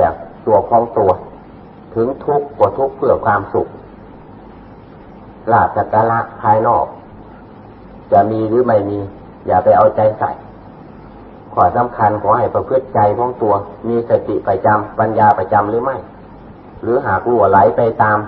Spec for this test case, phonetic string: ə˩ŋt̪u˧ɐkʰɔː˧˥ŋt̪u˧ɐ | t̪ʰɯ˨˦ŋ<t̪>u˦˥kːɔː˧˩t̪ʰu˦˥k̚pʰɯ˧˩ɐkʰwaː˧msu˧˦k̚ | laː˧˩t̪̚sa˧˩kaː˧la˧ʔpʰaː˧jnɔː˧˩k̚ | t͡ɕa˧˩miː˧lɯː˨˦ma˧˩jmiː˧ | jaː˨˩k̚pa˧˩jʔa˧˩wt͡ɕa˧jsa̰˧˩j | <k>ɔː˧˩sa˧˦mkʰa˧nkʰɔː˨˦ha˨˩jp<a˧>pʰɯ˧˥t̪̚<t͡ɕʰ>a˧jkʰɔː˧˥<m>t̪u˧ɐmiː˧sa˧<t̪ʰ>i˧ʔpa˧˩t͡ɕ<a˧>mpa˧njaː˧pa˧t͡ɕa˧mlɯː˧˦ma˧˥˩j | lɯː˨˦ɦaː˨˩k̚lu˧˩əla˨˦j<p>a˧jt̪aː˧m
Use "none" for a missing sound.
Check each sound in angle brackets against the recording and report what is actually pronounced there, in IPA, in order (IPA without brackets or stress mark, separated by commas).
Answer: t̪ʰ, kʰ, a˧, t͡ɕ, ŋ, t̪, a˧, p